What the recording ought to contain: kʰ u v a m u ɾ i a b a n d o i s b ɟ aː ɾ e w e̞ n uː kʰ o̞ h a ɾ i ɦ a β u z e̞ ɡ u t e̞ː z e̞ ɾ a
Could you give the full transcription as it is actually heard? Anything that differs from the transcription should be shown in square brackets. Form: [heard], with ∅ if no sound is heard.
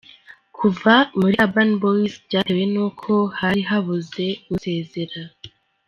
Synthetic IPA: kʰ u v a m u ɾ i a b a n [b] o i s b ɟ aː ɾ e w e̞ n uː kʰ o̞ h a ɾ i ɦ a β u z e̞ ɡ u [s] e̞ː z e̞ ɾ a